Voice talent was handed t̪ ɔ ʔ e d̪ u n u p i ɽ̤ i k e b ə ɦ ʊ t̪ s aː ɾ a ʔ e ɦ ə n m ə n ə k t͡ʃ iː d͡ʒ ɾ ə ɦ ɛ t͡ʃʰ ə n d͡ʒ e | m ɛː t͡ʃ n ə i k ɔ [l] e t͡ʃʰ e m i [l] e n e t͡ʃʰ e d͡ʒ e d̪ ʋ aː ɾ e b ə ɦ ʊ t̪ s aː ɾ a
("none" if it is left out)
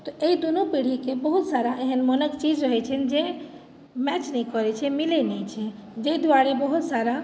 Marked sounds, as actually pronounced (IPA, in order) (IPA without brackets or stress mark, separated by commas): ɾ, l